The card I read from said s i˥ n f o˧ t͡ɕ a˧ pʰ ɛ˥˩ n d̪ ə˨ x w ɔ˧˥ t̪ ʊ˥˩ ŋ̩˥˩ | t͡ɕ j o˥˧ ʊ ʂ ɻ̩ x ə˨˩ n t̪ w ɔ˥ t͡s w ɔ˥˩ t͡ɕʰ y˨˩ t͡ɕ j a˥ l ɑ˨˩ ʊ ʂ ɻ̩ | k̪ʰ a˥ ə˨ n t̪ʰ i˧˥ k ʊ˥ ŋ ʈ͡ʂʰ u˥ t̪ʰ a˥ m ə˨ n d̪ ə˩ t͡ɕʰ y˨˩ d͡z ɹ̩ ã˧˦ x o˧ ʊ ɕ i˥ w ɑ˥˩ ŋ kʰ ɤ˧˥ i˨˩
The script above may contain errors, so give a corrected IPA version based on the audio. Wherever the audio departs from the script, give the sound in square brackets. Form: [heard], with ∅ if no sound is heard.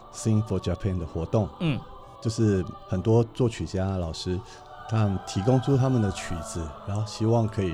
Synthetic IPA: s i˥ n f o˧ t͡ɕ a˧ pʰ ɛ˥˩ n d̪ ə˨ x w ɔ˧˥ t̪ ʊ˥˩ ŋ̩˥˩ | t͡ɕ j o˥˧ ʊ ʂ ɻ̩ x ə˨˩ n t̪ w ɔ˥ t͡s w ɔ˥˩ t͡ɕʰ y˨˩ t͡ɕ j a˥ l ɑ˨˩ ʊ ʂ ɻ̩ | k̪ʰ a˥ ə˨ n t̪ʰ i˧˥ k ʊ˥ ŋ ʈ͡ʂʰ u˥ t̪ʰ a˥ m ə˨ n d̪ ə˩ t͡ɕʰ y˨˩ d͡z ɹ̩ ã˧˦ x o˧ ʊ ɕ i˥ w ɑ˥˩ ŋ kʰ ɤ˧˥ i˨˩